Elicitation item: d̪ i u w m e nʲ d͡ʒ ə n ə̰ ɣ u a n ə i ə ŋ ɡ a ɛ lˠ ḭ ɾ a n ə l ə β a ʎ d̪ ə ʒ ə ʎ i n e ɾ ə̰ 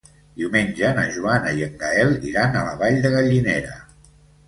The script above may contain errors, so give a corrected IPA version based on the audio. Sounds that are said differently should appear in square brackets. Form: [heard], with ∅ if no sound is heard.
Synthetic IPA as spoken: d̪ i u w m e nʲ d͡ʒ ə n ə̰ [ʒ] u a n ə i ə ŋ ɡ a ɛ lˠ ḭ ɾ a n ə l ə β a ʎ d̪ ə [ɣ] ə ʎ i n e ɾ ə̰